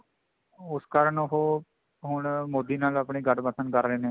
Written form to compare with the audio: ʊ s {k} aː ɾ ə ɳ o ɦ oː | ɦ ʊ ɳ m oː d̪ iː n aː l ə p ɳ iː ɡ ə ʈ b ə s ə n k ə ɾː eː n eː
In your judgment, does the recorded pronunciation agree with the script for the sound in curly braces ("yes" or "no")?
yes